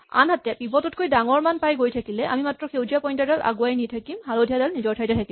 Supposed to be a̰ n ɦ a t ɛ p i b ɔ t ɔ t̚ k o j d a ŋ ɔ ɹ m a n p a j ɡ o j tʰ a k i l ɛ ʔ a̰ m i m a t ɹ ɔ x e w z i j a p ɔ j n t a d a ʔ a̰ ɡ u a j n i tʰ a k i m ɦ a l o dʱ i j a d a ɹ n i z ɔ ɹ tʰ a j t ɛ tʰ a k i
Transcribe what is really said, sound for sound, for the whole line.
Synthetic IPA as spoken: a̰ n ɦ a t ɛ p i b ɔ t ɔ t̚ k o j d a ŋ ɔ ɹ m a n p a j ɡ o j tʰ a k i l ɛ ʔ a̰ m i m a t ɹ ɔ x e w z i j a p ɔ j n t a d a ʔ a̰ ɡ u a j n i tʰ a k i m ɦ a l o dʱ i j a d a l n i z ɔ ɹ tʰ a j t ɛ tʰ a k i

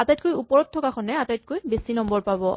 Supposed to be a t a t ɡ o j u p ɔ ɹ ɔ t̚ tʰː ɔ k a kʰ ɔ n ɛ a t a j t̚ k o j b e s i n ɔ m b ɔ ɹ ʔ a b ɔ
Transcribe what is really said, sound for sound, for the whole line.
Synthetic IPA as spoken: a t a t k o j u p ɔ ɹ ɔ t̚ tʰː ɔ k a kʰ ɔ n ɛ a t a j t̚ k o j b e s i n ɔ m b ɔ ɹ p a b ɔ

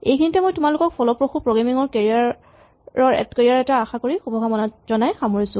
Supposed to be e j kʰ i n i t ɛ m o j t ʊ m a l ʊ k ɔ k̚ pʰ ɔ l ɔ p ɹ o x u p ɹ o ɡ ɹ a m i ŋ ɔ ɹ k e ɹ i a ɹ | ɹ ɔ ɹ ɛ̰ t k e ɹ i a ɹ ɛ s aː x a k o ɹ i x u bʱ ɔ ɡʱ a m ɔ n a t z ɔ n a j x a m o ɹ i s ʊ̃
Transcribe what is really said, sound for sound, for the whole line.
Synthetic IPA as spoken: e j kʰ i n i t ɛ m o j t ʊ m a l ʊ k ɔ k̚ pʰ ɔ l ɔ p ɹ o x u p ɹ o ɡ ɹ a m i ŋ ɔ ɹ k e ɹ i a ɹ | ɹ ɔ ɹ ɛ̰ t k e ɹ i a ɹ ɛ t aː x a k o ɹ i x u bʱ ɔ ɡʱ a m ɔ n a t z ɔ n a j x a m o ɹ i s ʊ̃

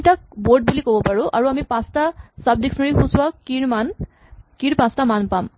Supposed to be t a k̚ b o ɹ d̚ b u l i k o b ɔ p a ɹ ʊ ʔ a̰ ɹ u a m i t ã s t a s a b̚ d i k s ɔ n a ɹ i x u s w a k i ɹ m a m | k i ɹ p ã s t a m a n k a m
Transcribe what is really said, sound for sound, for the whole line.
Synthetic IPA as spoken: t a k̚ b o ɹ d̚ b u l i k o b ɔ p a ɹ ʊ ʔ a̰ ɹ u a m i p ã s t a s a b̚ d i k s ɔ n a ɹ i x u s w a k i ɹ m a n | k i ɹ p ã s t a m a n p a m

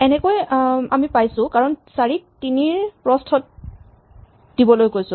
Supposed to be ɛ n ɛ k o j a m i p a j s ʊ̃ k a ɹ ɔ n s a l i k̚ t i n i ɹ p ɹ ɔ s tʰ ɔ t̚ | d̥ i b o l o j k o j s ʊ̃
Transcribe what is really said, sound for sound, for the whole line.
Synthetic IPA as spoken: ɛ n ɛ k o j a m i p a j s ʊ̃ k a ɹ ɔ n s a ɹ i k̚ t i n i ɹ p ɹ ɔ s tʰ ɔ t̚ | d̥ i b ɔ l o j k o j s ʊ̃

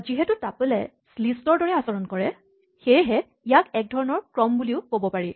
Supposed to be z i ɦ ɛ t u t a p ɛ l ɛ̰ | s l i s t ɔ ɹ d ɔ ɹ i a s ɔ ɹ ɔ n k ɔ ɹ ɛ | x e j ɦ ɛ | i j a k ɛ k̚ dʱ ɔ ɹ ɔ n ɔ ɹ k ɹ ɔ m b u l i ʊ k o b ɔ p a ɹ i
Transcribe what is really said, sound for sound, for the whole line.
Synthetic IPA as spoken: z i ɦ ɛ t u t a p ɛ l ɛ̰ | s l i s t ɔ ɹ d ɔ ɹ ɛ a s ɔ ɹ ɔ n k ɔ ɹ ɛ | x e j ɦ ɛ | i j a k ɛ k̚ dʱ ɔ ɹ ɔ n ɔ ɹ k ɹ ɔ m b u l i ʊ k o b ɔ p a ɹ i

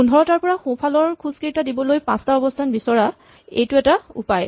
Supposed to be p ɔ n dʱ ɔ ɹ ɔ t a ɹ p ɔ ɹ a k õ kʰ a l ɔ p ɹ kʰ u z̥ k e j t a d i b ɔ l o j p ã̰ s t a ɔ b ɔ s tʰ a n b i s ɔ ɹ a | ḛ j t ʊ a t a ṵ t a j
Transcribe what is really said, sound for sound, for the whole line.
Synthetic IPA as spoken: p u n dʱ ɔ ɹ ɔ t a ɹ p ɔ ɹ a x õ pʰ a l ɔ ɹ kʰ u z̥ k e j t a d i b ɔ l o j p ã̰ s t a ɔ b ɔ s tʰ a n b i s ɔ ɹ a | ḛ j t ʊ ɛ t a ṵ p a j

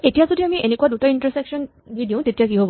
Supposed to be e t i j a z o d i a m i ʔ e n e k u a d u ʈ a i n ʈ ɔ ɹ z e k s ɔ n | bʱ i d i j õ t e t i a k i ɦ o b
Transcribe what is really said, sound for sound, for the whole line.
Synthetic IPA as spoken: e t i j a z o d i a m i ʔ e n e k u a d u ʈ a i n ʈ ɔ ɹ s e k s ɔ n | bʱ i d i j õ t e t i a k i ɦ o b

